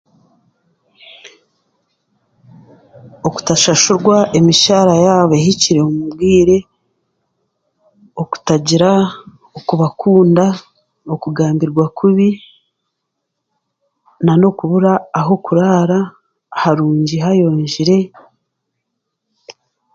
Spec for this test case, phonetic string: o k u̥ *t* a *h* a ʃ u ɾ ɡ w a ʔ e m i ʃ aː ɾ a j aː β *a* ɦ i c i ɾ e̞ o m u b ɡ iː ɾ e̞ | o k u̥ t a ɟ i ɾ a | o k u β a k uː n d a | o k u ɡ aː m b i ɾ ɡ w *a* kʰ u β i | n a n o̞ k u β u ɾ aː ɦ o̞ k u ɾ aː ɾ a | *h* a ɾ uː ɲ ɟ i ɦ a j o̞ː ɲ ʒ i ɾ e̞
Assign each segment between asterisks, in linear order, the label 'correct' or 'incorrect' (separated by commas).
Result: correct, incorrect, incorrect, correct, correct